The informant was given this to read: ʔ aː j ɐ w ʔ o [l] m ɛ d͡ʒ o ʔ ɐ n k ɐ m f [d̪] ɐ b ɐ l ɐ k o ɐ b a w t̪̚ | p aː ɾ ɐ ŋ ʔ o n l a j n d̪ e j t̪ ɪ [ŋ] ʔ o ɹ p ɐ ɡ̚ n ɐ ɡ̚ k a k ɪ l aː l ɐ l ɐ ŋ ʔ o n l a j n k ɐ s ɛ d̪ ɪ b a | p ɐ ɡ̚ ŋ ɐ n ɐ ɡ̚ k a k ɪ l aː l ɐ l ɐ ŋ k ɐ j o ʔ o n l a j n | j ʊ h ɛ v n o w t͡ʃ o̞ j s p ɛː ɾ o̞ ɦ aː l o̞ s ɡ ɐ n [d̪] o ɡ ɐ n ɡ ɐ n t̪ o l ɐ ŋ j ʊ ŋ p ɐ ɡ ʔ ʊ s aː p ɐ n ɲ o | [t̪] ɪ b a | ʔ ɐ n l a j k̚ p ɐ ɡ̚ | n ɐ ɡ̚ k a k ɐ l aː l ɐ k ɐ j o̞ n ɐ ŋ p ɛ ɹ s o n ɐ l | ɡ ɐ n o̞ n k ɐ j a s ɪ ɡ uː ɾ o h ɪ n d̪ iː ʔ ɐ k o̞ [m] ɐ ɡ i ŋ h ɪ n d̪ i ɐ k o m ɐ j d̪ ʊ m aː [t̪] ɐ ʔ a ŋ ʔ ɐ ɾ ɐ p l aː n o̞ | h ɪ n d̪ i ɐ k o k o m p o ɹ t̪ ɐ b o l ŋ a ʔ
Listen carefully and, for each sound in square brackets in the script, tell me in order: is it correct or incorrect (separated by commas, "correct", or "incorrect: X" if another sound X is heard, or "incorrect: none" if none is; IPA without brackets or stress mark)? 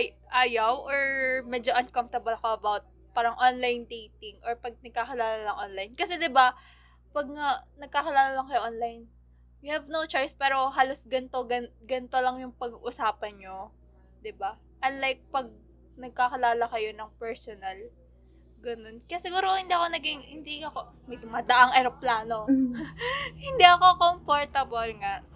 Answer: incorrect: ɹ, incorrect: t̪, correct, incorrect: t̪, incorrect: d̪, incorrect: n, incorrect: d̪